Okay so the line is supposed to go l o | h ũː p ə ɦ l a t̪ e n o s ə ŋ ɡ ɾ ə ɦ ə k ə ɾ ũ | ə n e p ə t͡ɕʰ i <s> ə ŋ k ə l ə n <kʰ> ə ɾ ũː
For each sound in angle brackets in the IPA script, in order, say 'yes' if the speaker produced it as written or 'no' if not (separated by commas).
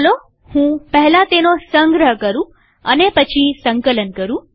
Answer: yes, no